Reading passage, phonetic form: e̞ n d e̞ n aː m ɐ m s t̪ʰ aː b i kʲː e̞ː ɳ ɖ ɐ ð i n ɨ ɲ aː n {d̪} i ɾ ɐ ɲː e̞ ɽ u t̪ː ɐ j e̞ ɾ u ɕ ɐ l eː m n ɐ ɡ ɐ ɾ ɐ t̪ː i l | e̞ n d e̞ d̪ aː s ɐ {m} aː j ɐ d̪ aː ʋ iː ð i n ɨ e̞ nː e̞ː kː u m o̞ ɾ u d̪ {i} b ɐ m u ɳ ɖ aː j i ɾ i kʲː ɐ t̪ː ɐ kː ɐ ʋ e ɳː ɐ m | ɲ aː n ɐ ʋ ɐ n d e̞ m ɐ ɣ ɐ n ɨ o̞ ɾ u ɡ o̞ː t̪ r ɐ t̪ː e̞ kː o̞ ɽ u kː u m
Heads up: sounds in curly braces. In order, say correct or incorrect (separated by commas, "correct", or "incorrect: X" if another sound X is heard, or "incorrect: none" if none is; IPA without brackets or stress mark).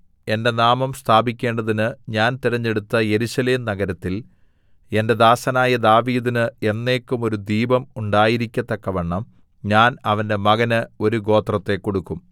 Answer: incorrect: t̪, incorrect: n, incorrect: iː